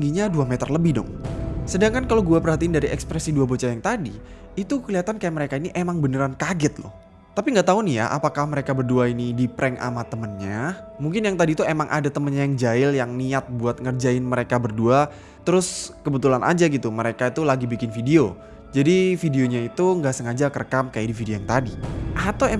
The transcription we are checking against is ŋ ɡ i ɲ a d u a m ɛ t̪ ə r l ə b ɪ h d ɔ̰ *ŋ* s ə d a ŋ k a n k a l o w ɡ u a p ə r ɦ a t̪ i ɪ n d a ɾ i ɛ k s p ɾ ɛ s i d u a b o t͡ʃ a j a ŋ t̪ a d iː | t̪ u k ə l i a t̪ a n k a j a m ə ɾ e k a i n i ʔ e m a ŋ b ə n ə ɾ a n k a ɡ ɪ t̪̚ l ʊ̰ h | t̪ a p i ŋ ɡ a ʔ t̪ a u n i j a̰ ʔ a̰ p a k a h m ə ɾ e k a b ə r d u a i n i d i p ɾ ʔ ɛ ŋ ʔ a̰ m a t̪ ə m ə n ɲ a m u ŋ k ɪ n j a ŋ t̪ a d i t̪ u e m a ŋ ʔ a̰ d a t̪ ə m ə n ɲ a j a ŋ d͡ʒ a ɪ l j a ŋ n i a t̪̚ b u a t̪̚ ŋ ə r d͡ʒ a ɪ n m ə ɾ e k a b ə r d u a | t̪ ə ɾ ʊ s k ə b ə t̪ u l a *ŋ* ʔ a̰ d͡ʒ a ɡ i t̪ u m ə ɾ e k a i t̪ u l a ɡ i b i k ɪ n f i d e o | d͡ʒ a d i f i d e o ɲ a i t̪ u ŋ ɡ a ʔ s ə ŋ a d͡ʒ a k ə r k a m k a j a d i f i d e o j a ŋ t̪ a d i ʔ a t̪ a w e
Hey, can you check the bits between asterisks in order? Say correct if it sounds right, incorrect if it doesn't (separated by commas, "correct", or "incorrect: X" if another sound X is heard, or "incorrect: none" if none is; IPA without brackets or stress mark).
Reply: correct, incorrect: n